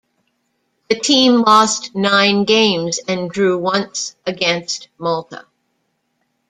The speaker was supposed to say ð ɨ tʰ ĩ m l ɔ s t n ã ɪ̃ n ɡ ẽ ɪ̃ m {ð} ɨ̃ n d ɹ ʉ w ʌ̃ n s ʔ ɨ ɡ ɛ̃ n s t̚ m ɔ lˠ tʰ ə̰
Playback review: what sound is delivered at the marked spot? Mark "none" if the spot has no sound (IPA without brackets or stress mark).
z